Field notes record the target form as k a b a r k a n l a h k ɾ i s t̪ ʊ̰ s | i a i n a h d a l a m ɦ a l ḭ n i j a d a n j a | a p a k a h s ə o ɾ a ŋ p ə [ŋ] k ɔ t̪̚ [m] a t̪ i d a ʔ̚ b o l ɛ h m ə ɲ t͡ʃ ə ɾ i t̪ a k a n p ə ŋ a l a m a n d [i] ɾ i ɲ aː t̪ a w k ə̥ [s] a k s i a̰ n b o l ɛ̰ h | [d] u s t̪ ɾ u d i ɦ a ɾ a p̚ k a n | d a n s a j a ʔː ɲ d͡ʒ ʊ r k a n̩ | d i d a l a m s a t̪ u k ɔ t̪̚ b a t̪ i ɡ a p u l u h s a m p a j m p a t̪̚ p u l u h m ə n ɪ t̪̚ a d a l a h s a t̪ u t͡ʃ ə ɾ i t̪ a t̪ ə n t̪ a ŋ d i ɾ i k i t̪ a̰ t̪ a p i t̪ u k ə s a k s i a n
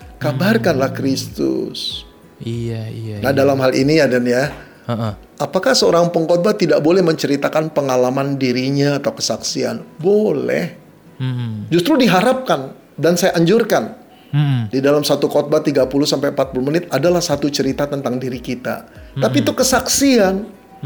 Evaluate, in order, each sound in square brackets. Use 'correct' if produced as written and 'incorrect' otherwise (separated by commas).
correct, incorrect, correct, correct, incorrect